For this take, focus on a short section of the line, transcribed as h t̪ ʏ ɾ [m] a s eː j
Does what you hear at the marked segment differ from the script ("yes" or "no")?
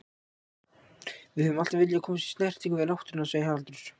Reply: yes